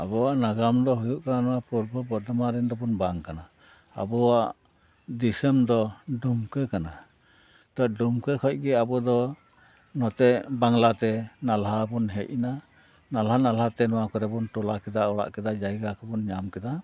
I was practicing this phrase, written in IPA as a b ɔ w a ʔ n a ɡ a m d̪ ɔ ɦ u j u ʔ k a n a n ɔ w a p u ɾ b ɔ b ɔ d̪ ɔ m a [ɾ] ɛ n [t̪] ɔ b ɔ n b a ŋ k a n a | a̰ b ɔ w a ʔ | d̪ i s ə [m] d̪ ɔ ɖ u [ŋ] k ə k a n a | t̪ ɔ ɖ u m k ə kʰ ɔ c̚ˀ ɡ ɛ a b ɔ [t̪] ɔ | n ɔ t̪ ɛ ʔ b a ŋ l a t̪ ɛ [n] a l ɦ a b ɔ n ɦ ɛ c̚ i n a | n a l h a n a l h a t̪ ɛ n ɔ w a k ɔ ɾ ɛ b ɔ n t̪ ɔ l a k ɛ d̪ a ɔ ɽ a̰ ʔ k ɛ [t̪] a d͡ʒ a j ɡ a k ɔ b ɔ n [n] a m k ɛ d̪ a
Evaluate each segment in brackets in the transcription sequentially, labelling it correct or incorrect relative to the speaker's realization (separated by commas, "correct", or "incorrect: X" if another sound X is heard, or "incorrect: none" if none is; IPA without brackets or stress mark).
correct, incorrect: d̪, correct, incorrect: m, incorrect: d̪, correct, incorrect: d̪, incorrect: ɲ